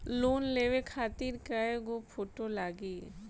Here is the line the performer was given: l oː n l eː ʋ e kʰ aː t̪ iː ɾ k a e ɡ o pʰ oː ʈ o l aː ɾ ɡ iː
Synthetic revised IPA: l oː n l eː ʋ e kʰ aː t̪ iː ɾ k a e ɡ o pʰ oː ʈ o l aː ɡ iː